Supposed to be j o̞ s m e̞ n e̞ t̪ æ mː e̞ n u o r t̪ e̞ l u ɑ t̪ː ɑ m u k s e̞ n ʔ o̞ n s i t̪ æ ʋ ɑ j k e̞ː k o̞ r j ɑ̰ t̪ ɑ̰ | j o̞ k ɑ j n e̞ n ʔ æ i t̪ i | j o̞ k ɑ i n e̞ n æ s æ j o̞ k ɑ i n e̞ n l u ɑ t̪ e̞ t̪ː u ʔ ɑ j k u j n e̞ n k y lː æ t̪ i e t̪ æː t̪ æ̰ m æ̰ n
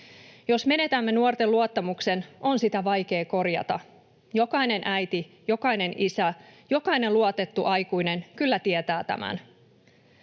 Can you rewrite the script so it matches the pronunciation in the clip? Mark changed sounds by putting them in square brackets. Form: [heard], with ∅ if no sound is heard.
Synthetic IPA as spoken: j o̞ s m e̞ n e̞ t̪ æ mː e̞ n u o r t̪ e̞ l u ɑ t̪ː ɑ m u k s e̞ n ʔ o̞ n s i t̪ æ ʋ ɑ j k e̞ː k o̞ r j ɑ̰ t̪ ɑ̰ | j o̞ k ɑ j n e̞ n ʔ æ [j] t̪ i | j o̞ k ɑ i n e̞ n [i] s æ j o̞ k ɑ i n e̞ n l u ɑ t̪ e̞ t̪ː u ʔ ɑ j k u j n e̞ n k y lː æ t̪ i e t̪ æː t̪ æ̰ m æ̰ n